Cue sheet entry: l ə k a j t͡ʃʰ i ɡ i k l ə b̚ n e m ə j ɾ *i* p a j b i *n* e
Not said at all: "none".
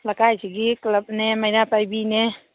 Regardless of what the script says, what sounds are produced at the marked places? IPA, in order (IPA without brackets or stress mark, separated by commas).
a, n